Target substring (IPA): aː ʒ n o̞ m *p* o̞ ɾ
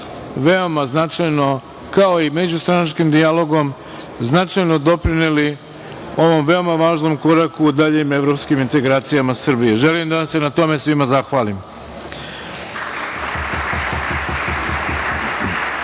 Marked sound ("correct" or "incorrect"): incorrect